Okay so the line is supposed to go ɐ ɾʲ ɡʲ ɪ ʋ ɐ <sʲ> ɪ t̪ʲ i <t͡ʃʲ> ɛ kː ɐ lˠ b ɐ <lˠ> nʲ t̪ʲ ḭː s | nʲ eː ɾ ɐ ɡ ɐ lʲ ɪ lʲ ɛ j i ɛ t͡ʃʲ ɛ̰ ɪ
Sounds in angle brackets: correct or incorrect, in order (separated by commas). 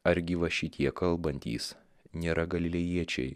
incorrect, incorrect, incorrect